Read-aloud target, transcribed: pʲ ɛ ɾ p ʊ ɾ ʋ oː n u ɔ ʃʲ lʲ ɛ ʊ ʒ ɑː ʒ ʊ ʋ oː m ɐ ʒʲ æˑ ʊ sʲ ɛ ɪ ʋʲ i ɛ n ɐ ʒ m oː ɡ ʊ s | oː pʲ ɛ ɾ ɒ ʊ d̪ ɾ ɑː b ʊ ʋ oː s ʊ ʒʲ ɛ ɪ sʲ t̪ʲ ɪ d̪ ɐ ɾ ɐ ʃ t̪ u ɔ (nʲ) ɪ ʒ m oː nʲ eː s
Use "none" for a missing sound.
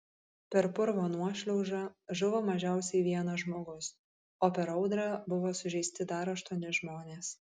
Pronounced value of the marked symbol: nʲ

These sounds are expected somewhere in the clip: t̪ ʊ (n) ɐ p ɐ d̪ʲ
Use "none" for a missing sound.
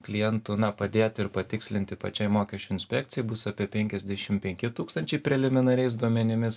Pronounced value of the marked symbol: n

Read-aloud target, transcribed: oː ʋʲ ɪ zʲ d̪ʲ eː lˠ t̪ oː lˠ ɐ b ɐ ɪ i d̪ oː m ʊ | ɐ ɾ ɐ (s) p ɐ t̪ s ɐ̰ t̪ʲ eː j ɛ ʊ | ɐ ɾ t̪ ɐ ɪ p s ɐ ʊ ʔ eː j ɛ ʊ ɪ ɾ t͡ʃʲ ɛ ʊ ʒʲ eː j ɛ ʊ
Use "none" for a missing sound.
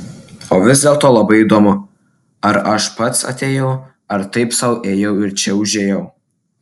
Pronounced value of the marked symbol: ʃ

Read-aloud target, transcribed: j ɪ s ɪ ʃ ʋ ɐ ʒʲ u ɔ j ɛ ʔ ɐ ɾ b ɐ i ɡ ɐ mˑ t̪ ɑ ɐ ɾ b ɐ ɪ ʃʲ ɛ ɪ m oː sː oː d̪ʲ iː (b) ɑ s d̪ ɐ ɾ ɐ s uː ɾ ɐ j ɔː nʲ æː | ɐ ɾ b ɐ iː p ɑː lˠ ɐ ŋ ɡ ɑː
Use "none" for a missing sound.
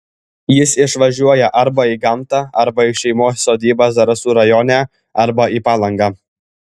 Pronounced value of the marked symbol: b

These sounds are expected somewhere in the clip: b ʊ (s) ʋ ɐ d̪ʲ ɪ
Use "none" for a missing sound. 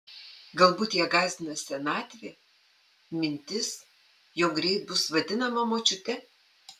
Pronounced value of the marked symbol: s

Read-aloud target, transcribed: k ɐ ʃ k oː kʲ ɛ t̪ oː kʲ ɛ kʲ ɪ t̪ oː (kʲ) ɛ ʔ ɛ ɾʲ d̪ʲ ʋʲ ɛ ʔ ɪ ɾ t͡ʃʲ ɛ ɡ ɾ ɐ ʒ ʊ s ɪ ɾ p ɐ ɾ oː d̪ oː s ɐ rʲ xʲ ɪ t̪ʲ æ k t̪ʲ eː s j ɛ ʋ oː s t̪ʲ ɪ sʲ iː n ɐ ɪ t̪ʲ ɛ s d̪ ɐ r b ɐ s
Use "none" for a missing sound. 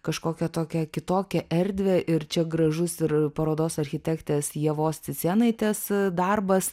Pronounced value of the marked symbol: kʲ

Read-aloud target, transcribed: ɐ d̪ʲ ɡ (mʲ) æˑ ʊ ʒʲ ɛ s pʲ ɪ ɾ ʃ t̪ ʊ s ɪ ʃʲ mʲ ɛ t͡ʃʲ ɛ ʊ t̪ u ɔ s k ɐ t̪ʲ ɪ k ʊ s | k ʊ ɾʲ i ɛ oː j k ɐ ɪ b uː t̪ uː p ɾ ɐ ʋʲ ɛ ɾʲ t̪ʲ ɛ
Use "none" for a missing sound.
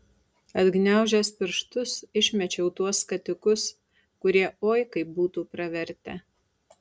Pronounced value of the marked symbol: nʲ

